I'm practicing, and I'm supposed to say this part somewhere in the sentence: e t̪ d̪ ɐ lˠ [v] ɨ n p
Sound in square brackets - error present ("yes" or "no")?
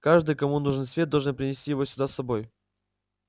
yes